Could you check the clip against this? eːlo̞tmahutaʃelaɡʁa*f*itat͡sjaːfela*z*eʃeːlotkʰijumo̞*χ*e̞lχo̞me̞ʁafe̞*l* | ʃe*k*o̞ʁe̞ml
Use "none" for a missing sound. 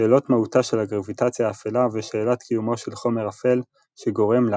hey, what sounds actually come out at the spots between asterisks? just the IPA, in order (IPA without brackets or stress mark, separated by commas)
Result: v, v, ʃ, l, ɡ